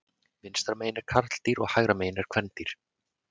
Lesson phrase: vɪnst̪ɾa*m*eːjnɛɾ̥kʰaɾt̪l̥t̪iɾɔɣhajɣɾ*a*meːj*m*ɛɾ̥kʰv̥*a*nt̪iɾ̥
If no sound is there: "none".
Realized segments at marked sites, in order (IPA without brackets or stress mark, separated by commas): m, a, n, ɛ